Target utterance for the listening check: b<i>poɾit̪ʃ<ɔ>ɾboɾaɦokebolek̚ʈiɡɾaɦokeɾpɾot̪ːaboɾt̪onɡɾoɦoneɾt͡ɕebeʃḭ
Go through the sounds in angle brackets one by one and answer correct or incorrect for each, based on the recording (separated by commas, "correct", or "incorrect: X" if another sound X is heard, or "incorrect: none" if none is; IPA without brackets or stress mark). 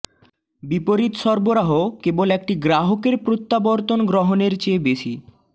correct, correct